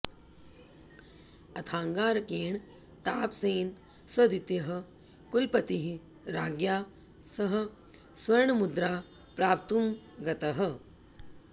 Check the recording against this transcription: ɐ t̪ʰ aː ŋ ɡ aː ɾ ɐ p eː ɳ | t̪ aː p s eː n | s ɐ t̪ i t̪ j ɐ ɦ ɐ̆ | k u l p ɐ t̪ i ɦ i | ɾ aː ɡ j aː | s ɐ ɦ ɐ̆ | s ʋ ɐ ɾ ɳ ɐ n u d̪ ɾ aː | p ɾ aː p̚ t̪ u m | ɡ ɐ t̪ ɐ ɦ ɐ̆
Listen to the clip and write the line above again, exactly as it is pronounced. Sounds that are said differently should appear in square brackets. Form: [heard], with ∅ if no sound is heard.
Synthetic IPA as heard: ɐ t̪ʰ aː ŋ ɡ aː ɾ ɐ [k] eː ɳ | t̪ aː p s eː n | s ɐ [d̪] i t̪ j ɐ ɦ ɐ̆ | k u l p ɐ t̪ i ɦ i | ɾ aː ɡ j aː | s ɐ ɦ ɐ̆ | s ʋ ɐ ɾ ɳ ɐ [m] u d̪ ɾ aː | p ɾ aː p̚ t̪ u m | ɡ ɐ t̪ ɐ ɦ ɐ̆